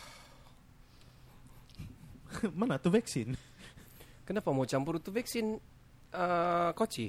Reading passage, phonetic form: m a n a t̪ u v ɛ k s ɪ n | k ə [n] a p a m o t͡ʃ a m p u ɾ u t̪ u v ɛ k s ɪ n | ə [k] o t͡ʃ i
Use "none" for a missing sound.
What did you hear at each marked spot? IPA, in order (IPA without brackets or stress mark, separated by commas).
n, k